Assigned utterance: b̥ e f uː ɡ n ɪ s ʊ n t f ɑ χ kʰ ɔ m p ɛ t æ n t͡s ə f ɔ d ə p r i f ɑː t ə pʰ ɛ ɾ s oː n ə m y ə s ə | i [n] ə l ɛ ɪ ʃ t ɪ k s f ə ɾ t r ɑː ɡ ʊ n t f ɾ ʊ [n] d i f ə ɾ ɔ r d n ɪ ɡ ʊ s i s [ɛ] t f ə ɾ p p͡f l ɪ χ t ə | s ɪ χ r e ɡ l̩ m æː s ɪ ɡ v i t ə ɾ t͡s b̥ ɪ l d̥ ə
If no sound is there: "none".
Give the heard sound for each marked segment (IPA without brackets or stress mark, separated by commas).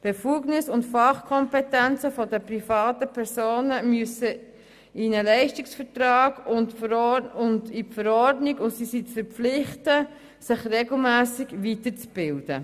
n, n, i